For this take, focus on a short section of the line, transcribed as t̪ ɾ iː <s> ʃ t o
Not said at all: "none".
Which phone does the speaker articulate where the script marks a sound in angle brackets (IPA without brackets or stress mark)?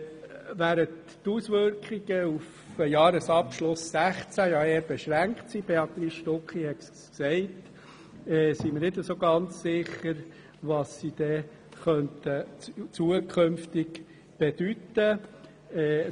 s